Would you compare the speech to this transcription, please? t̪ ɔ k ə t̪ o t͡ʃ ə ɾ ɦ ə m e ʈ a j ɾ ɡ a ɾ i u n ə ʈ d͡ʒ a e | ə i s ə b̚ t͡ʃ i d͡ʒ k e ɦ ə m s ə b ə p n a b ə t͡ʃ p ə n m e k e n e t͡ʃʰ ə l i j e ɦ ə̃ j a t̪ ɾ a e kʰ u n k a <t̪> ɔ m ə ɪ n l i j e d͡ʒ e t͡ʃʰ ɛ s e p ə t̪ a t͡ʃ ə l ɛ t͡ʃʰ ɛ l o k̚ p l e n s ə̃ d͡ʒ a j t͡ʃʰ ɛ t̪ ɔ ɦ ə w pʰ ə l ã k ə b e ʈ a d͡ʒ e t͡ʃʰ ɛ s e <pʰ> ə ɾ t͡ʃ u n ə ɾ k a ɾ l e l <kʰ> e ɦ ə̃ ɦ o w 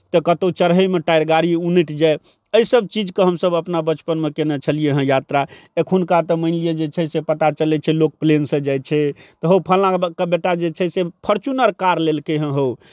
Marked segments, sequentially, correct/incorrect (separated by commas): correct, correct, incorrect